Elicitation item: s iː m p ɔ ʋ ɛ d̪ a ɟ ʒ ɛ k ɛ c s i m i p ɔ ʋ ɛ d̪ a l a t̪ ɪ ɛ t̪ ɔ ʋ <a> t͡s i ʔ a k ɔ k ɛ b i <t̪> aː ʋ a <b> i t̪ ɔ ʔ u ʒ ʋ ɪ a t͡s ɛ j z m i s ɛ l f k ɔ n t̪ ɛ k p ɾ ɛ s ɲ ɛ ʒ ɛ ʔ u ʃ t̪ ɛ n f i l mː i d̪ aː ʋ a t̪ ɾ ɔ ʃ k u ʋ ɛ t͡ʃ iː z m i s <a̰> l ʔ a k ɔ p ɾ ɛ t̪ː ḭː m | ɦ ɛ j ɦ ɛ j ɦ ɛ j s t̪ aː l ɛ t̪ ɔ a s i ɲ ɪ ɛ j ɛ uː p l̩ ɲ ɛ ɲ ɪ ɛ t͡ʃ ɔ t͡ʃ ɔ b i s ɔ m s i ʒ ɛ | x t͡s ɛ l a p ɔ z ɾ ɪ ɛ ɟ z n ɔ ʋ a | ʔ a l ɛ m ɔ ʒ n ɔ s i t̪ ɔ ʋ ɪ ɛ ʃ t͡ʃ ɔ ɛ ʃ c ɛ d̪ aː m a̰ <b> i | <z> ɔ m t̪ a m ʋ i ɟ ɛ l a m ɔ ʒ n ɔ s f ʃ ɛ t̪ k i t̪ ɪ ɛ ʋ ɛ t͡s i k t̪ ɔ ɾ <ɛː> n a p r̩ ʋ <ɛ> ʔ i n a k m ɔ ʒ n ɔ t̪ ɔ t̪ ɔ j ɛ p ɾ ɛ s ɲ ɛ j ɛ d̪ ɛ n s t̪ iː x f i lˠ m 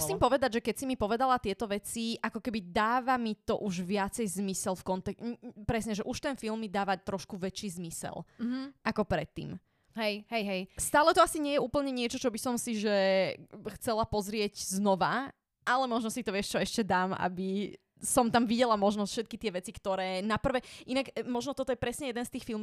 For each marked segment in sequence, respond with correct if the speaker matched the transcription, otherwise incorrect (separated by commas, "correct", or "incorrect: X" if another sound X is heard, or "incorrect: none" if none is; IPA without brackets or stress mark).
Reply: incorrect: ɛ, incorrect: d̪, incorrect: m, incorrect: ɛ̰, correct, incorrect: s, correct, correct